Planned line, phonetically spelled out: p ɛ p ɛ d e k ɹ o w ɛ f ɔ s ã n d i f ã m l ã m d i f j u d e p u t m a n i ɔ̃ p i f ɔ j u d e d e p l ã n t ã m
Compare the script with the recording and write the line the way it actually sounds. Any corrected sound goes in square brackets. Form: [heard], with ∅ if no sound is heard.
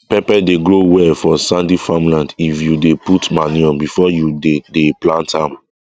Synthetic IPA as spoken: p ɛ p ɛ d e [ɡ] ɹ o w ɛ f ɔ s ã n d i f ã m l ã [n] d i f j u d e p u t m a n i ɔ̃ [b] i f ɔ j u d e d e p l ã n t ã m